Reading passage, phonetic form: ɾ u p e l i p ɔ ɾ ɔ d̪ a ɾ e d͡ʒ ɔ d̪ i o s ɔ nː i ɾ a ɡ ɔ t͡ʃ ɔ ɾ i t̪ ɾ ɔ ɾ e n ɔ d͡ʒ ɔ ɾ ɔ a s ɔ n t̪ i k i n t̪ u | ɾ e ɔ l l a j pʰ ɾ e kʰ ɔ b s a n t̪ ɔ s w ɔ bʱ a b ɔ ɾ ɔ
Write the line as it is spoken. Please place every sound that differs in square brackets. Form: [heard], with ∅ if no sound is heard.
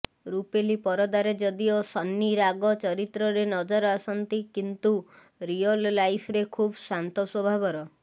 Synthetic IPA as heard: ɾ u p e l i p ɔ ɾ ɔ d̪ a ɾ e d͡ʒ ɔ d̪ i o s ɔ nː i ɾ a ɡ ɔ t͡ʃ ɔ ɾ i t̪ ɾ ɔ ɾ e n ɔ d͡ʒ ɔ ɾ ɔ a s ɔ n t̪ i k i n t̪ u | ɾ [i] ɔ l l a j pʰ ɾ e kʰ [u] b s a n t̪ ɔ s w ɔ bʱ a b ɔ ɾ ɔ